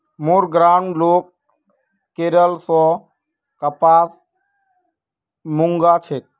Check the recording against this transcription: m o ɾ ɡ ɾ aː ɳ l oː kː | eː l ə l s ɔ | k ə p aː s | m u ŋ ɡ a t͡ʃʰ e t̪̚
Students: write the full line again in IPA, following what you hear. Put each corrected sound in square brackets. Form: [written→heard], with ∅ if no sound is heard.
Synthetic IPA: m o ɾ ɡ ɾ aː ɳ l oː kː | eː [l→ɾ] ə l s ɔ | k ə p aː s | m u ŋ ɡ a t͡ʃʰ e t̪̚